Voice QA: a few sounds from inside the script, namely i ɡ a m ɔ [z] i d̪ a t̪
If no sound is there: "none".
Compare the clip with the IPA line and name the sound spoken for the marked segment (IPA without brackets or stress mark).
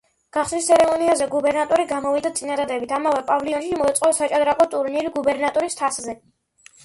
v